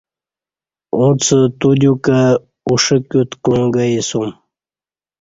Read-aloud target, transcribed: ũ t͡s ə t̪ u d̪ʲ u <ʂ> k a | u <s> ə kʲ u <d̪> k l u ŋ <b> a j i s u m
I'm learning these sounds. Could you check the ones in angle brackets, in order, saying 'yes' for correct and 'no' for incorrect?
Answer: no, no, no, no

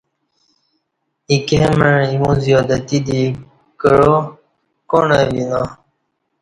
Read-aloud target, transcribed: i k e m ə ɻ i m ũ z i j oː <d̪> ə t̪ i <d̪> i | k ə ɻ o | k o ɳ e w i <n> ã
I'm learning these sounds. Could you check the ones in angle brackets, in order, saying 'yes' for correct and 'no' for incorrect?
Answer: yes, yes, yes

